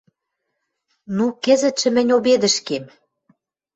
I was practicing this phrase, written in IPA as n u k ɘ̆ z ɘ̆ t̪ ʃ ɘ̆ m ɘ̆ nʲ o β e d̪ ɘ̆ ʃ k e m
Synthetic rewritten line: n u k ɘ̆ z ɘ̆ t̪ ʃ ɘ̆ m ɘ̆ nʲ o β e d̪ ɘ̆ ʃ k e m